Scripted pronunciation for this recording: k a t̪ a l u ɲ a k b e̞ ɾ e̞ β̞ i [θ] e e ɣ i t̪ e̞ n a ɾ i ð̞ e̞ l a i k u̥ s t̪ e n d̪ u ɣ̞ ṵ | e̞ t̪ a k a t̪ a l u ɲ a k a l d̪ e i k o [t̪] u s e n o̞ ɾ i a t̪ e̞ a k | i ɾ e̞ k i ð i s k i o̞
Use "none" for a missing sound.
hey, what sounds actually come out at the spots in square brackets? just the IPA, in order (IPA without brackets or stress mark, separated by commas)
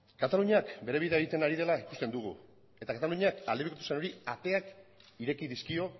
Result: ð, t̪